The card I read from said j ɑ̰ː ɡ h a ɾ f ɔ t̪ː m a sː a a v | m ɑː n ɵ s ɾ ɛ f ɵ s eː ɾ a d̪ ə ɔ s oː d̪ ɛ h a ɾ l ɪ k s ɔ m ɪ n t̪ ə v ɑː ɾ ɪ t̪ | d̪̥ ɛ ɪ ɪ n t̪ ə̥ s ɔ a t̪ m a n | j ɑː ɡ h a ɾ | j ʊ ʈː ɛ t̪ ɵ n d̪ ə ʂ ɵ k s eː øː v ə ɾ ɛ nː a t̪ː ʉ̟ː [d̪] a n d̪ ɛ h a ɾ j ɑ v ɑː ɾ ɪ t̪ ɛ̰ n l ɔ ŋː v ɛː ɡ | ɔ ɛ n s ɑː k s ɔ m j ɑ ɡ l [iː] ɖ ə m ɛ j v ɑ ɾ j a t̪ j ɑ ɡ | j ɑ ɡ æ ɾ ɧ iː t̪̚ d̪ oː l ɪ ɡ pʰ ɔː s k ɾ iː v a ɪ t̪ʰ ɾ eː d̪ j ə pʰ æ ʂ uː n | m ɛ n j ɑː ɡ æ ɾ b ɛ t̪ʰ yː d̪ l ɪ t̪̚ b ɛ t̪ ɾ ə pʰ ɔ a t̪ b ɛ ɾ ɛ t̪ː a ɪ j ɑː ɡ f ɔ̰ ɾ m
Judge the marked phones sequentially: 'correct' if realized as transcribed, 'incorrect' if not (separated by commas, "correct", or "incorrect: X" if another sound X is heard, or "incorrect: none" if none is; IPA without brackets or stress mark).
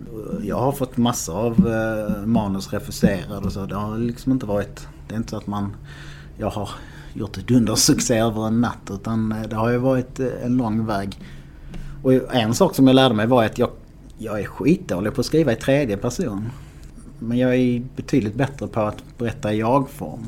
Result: incorrect: t̪, incorrect: æː